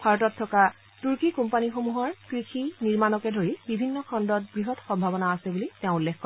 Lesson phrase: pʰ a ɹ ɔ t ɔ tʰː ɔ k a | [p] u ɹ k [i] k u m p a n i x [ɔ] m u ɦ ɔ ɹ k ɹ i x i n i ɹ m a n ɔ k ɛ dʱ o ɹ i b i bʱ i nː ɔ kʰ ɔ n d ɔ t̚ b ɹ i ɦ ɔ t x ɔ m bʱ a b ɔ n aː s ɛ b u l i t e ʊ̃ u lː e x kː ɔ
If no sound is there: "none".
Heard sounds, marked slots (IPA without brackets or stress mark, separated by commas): t, i, o